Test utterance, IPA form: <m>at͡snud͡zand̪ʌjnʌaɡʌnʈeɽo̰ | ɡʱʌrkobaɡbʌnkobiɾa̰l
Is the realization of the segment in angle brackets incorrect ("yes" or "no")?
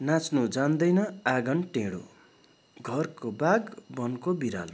yes